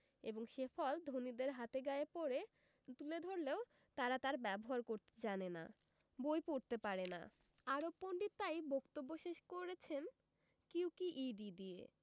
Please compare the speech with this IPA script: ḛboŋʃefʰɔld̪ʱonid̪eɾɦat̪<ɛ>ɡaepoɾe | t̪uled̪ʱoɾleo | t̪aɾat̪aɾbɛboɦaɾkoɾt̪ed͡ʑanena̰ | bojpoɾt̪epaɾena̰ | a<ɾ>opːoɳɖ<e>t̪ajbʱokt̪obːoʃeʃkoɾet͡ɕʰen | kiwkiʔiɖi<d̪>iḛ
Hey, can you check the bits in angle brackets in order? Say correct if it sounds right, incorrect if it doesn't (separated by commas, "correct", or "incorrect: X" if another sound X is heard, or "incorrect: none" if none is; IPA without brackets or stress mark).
incorrect: e, correct, incorrect: i, correct